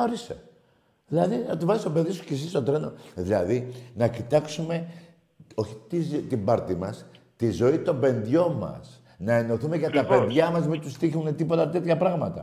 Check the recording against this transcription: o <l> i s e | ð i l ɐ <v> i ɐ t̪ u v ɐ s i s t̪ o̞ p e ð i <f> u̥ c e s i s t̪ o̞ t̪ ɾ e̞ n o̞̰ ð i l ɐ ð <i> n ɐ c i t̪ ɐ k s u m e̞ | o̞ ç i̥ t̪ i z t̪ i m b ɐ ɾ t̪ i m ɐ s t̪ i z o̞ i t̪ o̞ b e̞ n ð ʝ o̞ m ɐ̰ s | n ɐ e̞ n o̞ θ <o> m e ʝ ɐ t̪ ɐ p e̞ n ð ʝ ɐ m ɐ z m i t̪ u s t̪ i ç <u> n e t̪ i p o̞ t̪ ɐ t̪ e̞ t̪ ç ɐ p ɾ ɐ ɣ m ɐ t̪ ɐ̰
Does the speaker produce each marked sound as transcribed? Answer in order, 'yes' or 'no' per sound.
no, no, no, yes, no, yes

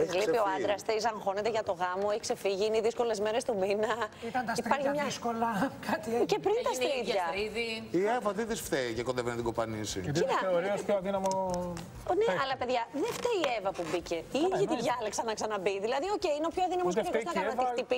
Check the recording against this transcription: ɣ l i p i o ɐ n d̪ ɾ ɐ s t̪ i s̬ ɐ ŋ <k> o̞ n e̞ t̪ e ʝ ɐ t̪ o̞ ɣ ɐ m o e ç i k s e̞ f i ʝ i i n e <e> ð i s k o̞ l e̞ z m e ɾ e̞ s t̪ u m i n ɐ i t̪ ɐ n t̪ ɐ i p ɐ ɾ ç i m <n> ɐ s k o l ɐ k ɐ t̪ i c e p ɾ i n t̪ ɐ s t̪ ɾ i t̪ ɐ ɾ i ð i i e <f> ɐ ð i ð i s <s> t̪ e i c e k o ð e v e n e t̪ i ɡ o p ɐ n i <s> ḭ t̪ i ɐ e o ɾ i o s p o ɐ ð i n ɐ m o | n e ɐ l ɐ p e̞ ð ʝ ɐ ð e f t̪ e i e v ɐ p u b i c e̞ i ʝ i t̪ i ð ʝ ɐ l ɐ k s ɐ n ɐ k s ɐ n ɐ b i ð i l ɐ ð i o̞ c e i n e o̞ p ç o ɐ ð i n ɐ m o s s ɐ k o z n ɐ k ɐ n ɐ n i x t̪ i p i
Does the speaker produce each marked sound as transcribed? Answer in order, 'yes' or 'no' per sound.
no, no, no, no, no, yes

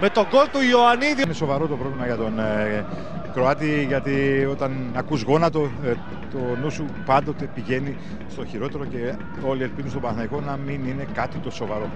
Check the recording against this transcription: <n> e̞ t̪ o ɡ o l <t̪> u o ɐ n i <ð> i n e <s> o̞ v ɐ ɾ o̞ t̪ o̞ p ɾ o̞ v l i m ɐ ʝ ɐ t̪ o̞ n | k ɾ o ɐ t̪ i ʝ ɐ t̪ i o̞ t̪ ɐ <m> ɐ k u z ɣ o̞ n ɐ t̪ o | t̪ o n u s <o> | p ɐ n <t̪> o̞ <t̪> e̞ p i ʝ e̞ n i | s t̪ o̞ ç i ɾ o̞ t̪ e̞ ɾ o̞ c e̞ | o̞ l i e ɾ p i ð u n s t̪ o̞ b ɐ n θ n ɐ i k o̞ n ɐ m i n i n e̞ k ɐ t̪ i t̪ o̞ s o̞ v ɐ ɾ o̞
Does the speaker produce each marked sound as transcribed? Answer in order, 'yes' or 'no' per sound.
no, yes, yes, yes, no, no, no, yes

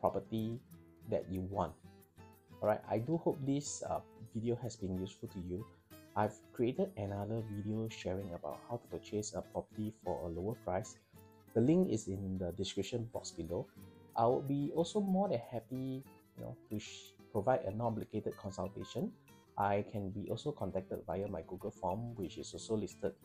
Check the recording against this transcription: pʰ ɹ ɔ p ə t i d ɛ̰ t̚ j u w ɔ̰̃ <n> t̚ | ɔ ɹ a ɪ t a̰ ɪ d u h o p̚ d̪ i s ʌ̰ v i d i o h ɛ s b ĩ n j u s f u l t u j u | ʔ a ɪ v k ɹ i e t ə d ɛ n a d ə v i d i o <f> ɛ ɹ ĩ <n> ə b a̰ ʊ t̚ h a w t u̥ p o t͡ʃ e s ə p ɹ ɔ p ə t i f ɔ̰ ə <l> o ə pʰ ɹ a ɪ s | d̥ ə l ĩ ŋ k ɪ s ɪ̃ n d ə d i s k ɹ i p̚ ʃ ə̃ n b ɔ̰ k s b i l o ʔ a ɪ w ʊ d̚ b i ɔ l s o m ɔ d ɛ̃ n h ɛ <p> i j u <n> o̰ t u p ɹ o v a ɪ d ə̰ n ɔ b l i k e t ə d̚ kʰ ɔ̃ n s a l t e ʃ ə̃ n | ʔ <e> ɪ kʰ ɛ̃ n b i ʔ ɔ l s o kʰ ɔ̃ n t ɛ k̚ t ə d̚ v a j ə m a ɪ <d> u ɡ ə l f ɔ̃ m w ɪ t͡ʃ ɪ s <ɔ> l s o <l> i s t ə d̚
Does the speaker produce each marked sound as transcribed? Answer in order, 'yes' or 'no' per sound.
yes, no, no, yes, yes, yes, no, no, yes, yes

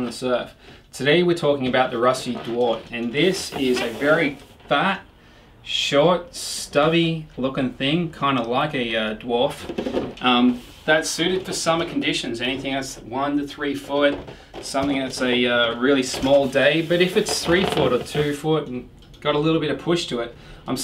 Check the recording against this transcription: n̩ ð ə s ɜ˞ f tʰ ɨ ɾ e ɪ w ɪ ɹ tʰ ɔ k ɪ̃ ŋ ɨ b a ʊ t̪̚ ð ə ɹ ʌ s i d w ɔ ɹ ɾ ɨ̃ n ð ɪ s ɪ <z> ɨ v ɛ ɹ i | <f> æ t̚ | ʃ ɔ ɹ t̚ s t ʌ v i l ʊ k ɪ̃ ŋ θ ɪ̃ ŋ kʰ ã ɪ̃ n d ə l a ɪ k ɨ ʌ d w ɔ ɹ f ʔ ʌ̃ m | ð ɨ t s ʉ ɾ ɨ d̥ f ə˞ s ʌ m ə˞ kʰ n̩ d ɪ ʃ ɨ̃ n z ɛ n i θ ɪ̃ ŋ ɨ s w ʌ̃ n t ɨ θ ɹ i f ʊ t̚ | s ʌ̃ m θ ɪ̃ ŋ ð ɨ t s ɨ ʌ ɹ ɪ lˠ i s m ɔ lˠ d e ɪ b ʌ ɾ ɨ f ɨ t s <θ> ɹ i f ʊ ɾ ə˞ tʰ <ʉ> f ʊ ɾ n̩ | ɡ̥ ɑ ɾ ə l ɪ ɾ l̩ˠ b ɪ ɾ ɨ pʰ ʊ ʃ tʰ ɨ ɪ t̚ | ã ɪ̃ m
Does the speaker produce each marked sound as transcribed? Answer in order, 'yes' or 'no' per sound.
yes, yes, yes, yes

